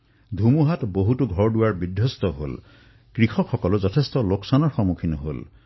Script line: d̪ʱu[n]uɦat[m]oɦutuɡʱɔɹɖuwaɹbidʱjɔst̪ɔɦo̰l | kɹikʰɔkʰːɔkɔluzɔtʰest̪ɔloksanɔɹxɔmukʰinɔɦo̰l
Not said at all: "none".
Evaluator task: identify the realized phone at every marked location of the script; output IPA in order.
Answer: m, b

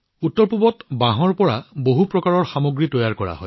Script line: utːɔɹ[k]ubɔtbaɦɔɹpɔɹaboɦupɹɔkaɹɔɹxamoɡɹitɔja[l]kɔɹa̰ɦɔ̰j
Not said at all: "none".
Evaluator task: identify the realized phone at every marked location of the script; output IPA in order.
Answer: p, ɹ

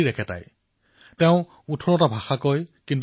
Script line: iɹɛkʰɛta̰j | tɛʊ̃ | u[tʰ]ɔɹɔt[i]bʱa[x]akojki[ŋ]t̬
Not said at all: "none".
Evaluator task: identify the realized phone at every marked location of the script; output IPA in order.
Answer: tʰ, a, x, n

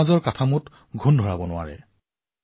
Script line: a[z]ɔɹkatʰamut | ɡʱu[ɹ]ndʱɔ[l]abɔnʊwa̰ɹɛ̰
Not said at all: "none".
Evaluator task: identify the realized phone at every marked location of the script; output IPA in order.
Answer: z, none, ɹ

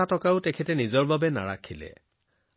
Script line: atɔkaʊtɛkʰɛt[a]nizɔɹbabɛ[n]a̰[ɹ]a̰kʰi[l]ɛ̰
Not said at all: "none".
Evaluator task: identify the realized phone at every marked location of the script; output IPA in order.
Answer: ɛ, n, ɹ, l

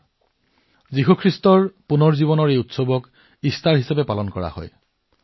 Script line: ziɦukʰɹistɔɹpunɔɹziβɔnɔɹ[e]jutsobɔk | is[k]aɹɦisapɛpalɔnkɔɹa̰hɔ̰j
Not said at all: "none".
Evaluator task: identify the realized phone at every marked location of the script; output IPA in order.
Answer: e, t

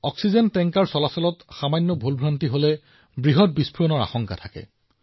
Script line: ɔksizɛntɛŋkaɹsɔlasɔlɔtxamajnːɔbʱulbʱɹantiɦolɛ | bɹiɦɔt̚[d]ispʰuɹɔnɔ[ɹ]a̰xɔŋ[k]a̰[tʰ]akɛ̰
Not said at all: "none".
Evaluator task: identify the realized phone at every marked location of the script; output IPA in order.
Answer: b, ɹ, k, tʰ

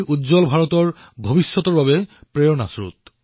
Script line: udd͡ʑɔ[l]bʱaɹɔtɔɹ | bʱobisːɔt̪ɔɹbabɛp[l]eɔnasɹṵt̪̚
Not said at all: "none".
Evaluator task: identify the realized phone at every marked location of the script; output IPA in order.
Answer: l, ɹ

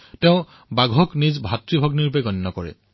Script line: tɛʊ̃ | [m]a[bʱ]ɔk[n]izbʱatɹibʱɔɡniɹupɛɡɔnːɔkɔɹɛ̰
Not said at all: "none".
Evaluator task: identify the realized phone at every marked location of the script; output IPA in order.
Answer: b, ɡʱ, n

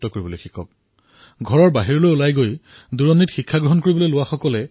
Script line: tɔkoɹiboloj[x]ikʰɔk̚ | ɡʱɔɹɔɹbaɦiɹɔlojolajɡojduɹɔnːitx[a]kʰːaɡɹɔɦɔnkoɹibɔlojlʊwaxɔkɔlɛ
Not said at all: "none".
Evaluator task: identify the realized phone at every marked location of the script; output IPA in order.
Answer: x, i

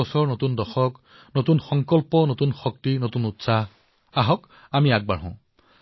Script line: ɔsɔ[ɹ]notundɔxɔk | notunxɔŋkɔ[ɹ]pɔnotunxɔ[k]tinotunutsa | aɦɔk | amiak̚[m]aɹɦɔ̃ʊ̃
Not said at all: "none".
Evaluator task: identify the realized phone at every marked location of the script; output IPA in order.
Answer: ɹ, l, k, b

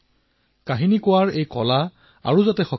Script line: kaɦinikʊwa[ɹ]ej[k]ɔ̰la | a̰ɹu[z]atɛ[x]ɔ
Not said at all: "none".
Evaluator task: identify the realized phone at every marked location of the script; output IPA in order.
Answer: ɹ, k, z, x

